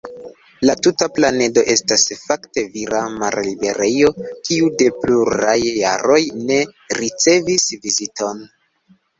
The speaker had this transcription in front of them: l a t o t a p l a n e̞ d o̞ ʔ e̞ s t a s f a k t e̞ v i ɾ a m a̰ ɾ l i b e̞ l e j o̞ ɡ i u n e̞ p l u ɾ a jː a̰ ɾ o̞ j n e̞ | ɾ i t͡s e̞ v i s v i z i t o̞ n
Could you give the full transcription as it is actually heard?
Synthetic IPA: l a t u t a p l a n e̞ d o̞ ʔ e̞ s t a s f a k t e̞ v i ɾ a m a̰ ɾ l i b e̞ ɾ e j o̞ k i u d e̞ p l u ɾ a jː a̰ ɾ o̞ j n e̞ | ɾ i t͡s e̞ v i s v i z i t o̞ n